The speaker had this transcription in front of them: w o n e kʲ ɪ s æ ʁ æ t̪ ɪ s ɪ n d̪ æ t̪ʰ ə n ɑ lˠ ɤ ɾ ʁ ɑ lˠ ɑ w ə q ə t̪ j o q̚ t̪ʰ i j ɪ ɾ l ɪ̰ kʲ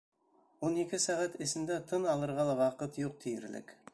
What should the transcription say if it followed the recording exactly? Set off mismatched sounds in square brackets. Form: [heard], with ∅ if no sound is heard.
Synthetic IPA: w o n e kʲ ɪ s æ ʁ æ t̪ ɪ s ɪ n d̪ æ t̪ʰ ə n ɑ lˠ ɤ ɾ ʁ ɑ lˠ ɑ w [ɑ] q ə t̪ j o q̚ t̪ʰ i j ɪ ɾ l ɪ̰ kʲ

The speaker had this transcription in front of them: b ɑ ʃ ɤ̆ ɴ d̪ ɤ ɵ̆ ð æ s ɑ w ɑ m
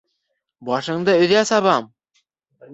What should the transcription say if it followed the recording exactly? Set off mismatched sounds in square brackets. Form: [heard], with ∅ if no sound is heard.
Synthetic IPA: b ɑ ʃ ɤ̆ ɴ d̪ ɤ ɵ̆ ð æ s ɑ [β] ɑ m

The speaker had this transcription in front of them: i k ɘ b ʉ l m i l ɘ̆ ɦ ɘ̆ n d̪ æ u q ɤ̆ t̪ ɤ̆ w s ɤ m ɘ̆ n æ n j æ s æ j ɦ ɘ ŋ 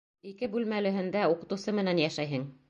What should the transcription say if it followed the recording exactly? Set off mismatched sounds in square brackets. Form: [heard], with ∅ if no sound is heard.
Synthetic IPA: i k ɘ b ʉ l m [æ] l ɘ̆ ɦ ɘ̆ n d̪ æ u q ɤ̆ t̪ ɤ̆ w s ɤ m ɘ̆ n æ n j æ [ʃ] æ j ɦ ɘ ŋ

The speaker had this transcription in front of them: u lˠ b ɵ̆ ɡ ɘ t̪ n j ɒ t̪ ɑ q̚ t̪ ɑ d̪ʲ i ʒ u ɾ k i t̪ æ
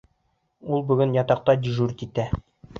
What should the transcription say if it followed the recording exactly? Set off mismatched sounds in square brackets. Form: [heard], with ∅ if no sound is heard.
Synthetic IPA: u lˠ b ɵ̆ ɡ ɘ [∅] n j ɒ t̪ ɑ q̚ t̪ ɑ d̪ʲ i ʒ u ɾ k i t̪ æ

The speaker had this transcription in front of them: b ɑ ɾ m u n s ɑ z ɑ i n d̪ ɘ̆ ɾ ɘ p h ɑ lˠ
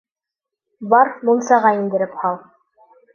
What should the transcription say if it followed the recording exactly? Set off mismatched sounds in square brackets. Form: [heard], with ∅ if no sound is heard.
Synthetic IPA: b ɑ ɾ m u n s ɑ [ʁ] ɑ i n d̪ ɘ̆ ɾ ɘ p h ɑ lˠ

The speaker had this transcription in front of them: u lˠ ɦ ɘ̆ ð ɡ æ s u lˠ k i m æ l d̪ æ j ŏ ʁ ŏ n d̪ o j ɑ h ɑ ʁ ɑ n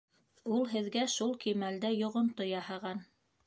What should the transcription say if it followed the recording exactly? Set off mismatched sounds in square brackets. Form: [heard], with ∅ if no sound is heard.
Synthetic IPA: u lˠ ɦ ɘ̆ ð ɡ æ [ʃ] u lˠ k i m æ l d̪ æ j ŏ ʁ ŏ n [t̪] o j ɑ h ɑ ʁ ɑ n

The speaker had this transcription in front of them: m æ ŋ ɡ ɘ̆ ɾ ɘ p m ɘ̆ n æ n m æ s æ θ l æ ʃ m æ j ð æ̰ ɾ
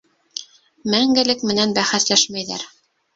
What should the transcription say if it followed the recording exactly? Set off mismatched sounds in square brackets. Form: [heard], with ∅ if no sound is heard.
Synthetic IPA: m æ ŋ ɡ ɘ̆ [l] ɘ [k] m ɘ̆ n æ n [b] æ [χ] æ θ l æ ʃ m æ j ð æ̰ ɾ

